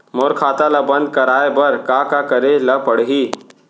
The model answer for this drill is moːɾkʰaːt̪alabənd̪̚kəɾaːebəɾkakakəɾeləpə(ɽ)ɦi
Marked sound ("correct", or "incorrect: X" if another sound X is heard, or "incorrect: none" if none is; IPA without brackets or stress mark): correct